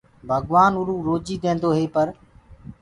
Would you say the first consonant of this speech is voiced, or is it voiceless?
voiced